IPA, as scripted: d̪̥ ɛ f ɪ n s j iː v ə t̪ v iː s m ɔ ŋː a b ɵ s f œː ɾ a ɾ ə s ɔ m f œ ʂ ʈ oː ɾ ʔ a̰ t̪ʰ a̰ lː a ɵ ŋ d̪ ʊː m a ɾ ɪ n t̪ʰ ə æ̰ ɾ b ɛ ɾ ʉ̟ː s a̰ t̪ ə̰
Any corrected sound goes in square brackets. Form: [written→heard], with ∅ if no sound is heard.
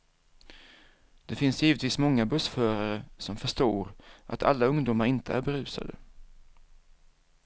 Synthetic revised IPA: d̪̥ ɛ f ɪ n s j iː v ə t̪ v iː s m ɔ ŋː a b ɵ s f œː ɾ a ɾ ə s ɔ m f œ ʂ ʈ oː ɾ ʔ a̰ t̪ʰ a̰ lː a ɵ ŋ d̪ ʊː m a ɾ ɪ n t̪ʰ ə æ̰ ɾ b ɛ ɾ ʉ̟ː s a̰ [t̪→d̪] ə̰